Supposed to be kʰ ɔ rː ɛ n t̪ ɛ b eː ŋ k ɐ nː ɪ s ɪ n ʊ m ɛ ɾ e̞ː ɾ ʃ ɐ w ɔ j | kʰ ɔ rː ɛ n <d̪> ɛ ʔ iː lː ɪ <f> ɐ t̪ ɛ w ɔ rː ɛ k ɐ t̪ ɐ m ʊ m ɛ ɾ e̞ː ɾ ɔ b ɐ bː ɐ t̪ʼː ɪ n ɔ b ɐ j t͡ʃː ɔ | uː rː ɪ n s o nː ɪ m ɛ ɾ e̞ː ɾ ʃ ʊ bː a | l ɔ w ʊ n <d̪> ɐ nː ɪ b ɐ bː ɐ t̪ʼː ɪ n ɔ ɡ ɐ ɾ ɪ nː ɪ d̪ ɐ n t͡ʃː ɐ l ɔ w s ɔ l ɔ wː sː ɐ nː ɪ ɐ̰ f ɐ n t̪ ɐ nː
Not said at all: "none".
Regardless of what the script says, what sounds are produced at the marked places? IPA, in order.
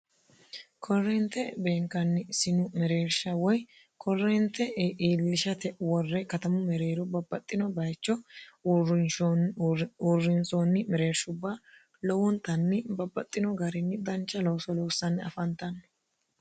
t̪, ʃ, t̪

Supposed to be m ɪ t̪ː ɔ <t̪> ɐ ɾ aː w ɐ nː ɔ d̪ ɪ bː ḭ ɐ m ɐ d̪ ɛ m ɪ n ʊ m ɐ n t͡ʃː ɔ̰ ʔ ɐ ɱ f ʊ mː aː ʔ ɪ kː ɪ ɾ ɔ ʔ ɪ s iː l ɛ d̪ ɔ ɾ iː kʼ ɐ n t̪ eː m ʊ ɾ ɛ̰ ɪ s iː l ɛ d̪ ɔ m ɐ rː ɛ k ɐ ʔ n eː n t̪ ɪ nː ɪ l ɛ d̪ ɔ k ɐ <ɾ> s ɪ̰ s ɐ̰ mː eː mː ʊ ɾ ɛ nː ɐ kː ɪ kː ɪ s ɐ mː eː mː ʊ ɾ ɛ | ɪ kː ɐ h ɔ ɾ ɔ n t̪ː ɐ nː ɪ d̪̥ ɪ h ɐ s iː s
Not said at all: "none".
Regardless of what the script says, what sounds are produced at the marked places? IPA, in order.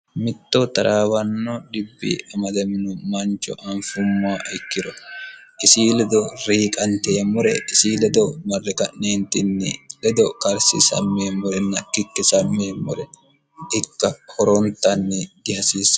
t̪, ɾ

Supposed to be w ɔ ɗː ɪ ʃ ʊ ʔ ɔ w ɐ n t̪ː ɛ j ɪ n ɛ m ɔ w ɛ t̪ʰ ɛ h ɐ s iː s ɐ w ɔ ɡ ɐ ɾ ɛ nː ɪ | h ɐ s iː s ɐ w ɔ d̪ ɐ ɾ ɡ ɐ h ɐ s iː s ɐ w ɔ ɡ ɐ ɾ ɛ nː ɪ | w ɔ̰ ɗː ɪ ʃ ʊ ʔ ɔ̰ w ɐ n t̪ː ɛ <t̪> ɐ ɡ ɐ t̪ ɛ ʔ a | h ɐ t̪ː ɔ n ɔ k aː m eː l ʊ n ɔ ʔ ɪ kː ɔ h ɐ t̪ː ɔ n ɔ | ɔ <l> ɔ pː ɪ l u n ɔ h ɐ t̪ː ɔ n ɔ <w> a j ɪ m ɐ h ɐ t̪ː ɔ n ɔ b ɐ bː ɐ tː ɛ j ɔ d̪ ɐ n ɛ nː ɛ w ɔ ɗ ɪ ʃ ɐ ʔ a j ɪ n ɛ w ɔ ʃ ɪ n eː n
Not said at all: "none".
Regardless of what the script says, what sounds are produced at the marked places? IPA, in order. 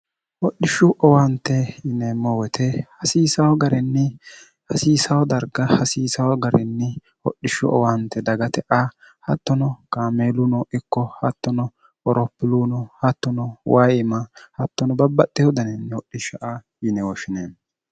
d̪, ɾ, w

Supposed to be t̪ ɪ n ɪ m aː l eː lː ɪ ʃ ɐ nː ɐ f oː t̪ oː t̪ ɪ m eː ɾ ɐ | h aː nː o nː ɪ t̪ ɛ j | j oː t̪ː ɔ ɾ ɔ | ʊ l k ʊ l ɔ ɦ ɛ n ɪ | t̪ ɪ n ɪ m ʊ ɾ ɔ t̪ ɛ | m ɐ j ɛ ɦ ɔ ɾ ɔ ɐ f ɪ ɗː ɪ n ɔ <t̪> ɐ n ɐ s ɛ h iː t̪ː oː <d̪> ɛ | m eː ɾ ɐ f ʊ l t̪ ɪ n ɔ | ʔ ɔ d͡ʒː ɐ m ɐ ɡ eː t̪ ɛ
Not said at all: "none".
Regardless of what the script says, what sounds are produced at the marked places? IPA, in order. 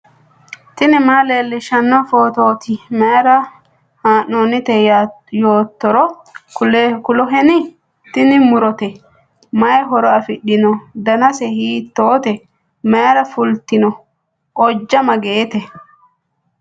d̪, t̪

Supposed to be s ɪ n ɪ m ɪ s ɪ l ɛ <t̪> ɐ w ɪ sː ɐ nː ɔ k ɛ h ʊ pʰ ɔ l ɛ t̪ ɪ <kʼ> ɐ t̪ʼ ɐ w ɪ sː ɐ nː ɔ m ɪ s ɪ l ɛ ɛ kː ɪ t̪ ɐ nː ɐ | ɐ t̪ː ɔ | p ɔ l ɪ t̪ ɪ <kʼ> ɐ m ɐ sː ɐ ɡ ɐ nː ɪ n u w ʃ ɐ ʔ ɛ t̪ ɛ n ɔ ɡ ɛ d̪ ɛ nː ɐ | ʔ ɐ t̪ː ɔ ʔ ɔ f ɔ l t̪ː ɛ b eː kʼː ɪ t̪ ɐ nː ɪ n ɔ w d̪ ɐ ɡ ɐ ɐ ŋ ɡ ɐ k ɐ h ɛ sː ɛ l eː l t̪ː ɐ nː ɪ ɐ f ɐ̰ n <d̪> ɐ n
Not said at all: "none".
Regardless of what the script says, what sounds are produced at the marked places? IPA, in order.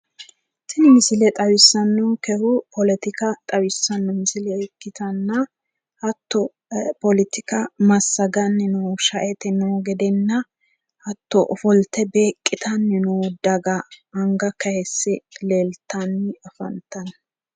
t̪ʼ, k, k, t̪

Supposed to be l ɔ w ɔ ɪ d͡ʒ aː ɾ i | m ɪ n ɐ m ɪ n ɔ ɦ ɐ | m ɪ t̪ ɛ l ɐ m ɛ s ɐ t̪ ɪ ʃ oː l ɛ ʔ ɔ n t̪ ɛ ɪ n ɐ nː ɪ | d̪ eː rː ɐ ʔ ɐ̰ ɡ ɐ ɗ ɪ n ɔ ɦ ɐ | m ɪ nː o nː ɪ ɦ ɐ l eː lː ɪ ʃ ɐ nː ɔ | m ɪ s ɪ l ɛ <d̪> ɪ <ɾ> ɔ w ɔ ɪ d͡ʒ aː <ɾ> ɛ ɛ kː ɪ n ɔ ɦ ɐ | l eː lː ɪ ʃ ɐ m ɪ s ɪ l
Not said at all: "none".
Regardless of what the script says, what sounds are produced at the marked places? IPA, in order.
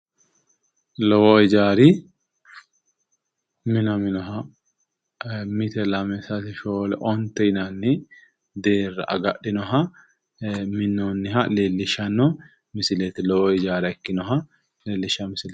t̪, l, ɾ

